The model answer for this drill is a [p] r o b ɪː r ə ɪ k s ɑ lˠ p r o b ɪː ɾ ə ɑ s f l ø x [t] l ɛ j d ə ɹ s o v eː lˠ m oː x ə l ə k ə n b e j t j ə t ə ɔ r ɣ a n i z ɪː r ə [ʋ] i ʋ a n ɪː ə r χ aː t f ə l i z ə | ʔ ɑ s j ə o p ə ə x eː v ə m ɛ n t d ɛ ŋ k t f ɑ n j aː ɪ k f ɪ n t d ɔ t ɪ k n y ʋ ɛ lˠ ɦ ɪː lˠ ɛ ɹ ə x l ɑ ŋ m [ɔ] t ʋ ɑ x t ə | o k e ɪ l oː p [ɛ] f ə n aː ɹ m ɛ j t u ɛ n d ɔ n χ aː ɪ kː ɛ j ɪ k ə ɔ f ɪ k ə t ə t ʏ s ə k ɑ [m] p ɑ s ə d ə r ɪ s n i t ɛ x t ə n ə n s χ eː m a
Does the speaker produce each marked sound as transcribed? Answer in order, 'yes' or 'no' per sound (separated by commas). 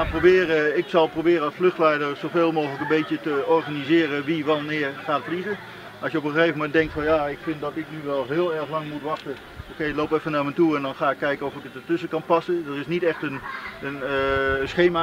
yes, yes, yes, no, yes, no